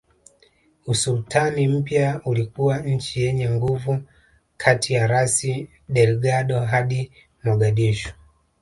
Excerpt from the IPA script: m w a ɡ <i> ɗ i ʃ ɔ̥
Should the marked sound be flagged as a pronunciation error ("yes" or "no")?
yes